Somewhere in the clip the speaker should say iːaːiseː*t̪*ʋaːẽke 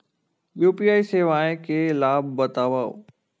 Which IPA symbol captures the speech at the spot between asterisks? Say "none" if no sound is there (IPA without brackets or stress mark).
none